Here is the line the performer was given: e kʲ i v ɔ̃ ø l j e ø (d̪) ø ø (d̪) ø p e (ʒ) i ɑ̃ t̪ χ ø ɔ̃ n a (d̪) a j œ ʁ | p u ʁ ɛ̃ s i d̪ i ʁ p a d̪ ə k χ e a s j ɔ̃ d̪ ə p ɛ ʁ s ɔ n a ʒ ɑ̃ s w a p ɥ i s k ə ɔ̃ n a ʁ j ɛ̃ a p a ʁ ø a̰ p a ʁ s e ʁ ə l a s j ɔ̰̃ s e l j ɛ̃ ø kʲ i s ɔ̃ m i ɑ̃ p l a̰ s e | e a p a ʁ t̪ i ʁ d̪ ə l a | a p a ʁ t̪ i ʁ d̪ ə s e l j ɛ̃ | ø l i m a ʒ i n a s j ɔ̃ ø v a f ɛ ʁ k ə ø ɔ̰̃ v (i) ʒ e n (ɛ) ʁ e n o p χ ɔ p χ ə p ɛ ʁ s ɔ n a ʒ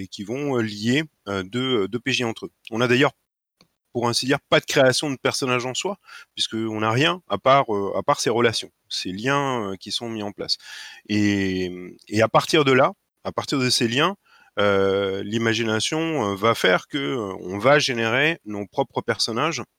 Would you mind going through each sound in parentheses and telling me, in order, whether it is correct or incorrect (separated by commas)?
correct, correct, correct, correct, incorrect, incorrect